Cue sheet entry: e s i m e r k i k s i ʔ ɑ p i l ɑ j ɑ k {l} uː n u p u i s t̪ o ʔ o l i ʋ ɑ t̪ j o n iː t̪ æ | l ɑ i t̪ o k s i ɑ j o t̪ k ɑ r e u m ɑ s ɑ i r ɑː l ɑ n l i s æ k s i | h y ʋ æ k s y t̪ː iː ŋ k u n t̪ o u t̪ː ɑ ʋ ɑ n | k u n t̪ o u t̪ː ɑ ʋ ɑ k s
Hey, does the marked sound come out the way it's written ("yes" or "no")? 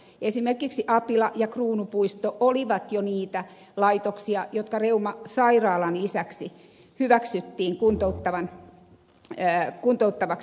no